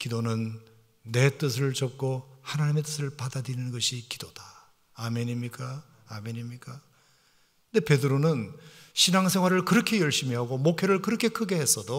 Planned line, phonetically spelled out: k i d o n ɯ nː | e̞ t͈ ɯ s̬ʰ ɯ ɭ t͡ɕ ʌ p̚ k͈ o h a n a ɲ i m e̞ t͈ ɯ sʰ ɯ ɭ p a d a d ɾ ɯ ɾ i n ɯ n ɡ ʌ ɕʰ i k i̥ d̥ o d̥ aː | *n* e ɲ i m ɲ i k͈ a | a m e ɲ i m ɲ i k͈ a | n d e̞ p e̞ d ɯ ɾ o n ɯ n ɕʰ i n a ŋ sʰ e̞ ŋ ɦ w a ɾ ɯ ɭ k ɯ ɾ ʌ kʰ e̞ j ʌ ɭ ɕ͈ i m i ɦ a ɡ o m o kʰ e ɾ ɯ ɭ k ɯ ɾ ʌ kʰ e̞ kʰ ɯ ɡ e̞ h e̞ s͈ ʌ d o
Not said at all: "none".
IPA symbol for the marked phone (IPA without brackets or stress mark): m